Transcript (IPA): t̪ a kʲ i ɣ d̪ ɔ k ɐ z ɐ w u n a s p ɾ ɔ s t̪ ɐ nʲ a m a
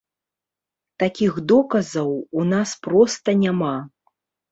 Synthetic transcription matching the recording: t̪ a kʲ i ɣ d̪ ɔ k ɐ z ɐ w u n a s p ɾ ɔ s t̪ ɐ nʲ a m a